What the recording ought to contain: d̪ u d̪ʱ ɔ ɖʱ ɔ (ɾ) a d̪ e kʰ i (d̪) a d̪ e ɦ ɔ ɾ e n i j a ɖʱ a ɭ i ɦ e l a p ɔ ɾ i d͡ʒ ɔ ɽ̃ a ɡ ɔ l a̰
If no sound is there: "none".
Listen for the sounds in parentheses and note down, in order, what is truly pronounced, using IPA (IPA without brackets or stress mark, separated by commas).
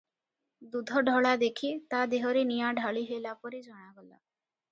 ɭ, t̪